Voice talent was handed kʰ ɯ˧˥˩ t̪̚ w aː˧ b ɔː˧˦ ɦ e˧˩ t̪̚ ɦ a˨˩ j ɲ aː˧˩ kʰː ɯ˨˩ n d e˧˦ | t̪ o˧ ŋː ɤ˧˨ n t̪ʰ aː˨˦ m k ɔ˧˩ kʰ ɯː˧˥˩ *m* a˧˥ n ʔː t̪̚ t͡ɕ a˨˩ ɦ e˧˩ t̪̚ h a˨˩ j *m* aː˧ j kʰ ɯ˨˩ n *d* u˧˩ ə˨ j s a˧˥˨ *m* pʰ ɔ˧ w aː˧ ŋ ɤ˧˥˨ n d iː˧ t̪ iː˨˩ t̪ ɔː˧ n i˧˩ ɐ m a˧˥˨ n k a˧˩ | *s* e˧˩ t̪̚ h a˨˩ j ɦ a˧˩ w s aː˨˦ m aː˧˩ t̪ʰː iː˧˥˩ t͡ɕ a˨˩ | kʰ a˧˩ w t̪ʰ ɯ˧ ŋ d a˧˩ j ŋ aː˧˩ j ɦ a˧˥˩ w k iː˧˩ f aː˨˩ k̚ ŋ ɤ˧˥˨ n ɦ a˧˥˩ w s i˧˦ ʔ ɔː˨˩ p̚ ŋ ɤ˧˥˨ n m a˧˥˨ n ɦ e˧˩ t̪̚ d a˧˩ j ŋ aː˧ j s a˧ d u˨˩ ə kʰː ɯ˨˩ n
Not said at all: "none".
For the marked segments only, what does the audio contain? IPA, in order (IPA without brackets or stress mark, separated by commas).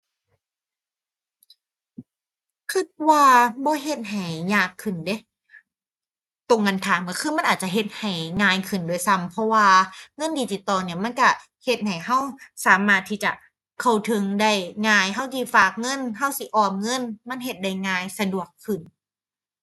m, ŋ, d, m, h